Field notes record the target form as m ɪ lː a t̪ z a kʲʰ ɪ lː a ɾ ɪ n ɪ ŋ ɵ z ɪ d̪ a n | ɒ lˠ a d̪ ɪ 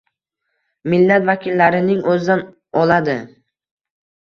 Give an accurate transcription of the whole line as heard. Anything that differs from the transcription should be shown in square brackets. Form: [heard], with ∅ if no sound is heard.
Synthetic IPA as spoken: m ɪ lː a t̪ [v] a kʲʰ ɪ lː a ɾ ɪ n ɪ ŋ ɵ z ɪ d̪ a n | ɒ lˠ a d̪ ɪ